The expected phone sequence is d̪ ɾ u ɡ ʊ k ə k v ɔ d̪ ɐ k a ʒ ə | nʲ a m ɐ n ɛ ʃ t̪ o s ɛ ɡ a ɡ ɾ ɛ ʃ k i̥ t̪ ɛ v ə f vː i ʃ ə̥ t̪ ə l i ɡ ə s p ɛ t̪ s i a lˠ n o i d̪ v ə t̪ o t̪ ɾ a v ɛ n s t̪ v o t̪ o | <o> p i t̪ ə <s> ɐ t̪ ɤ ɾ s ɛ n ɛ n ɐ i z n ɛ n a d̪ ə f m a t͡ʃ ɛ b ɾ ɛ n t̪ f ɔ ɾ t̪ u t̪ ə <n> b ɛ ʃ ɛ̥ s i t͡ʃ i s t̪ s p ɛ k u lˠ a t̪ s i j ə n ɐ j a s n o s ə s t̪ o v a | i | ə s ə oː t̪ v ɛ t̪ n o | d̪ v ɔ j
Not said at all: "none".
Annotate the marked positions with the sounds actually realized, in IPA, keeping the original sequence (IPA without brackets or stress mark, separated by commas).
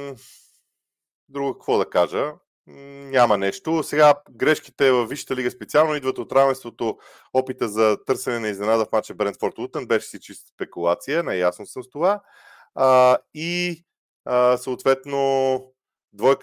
ɔ, z, n